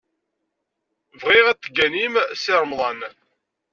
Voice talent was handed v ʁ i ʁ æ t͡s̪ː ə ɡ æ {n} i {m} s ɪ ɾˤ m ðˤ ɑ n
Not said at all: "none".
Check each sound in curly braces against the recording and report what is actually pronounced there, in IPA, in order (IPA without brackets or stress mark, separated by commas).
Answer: n, m